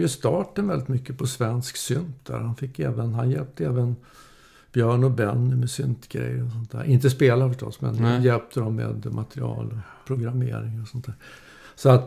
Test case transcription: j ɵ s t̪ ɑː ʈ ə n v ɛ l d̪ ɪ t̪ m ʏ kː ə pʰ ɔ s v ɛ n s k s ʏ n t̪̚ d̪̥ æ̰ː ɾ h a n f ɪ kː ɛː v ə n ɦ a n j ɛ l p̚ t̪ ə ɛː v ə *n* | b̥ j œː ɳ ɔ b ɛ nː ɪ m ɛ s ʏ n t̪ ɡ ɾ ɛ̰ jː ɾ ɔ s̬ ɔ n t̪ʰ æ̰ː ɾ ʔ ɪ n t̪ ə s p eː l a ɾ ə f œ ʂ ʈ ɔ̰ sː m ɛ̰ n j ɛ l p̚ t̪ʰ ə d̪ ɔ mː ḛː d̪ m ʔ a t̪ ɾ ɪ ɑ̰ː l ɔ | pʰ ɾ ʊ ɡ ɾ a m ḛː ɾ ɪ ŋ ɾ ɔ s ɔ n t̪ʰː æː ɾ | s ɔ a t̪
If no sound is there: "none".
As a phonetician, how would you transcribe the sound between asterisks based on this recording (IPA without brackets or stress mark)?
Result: n